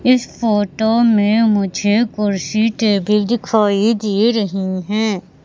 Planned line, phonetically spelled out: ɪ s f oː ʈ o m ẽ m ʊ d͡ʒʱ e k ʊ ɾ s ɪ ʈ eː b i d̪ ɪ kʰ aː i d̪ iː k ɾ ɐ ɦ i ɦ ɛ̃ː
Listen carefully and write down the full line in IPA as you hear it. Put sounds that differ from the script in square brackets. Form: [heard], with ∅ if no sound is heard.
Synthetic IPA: ɪ s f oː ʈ o m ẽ m ʊ d͡ʒʱ e k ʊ ɾ s [i] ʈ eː b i d̪ ɪ kʰ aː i d̪ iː [∅] ɾ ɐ ɦ i ɦ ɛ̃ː